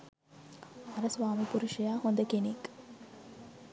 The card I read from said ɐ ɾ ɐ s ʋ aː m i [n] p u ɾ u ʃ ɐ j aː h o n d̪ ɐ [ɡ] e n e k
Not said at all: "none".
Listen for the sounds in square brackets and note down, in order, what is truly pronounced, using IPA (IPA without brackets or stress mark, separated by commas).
none, k